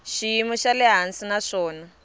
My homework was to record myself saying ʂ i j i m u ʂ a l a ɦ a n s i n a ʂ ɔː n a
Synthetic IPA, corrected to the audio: ʃ i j i m u ʃ a l ɛ ɦ a n s i n a ʂ ɔː n a

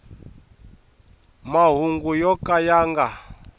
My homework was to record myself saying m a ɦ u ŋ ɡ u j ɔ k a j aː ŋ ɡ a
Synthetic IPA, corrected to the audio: m a ɦ u ŋ ɡ u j ɔ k a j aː ŋ ɡ a

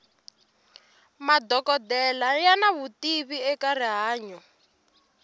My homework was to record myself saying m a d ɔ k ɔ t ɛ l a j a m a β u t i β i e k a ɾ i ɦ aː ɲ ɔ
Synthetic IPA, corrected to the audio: m a d ɔ k ɔ d ɛ l a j a n a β u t i β i ɛ k a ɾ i ɦ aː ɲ ɔ

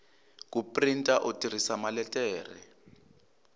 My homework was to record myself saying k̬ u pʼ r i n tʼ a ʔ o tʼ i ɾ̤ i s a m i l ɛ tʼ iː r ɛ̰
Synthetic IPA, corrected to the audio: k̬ u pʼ r i n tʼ a ʔ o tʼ i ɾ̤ i s a m a l ɛ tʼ ɛː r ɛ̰

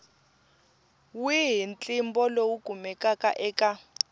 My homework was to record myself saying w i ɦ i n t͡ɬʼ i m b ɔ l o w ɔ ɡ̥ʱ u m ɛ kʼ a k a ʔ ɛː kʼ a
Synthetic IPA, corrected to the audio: w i ɦ i n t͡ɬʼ i m b ɔ l o w u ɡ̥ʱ u m ɛ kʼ a k a ʔ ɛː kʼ a

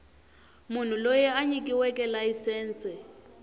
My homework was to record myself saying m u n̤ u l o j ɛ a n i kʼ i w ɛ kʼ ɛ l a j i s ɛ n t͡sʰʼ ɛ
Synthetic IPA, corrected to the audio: m u n̤ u l o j ɛ a ɲ i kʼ i w ɛ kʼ ɛ l a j i s ɛː n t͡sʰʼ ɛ

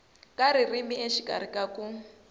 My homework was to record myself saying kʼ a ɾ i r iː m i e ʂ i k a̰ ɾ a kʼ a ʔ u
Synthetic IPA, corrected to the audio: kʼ a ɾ i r i m i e ʃ i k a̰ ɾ i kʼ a k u

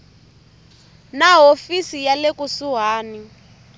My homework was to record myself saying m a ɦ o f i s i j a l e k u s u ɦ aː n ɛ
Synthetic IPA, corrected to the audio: n a ɦ o f i s i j a l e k u s u ɦ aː n i

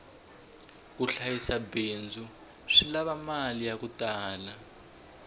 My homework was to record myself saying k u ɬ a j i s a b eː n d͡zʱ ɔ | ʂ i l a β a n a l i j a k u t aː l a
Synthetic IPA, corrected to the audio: k u ɬ a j i s a b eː n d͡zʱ u | ʂ i l a β a m a l i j a k u t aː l a

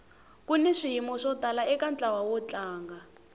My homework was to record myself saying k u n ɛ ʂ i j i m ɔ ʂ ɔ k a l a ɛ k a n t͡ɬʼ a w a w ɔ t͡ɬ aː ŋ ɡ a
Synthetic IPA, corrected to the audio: k u n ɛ ʂ i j i m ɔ ʂ ɔ t a l a ɛ k a n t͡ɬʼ a w a w ɔ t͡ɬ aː ŋ ɡ a

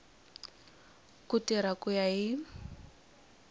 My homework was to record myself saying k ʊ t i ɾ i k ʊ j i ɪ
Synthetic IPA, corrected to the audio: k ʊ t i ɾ a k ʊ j a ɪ

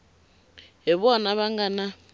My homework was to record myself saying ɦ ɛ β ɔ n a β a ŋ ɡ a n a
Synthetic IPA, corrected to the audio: ɦ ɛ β ɔ n a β a ŋ ɡ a n a

